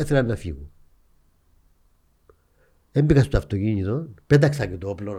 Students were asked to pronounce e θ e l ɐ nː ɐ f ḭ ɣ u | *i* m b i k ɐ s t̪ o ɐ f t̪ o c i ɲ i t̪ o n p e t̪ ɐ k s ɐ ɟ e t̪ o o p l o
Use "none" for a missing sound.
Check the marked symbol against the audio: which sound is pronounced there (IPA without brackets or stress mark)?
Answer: e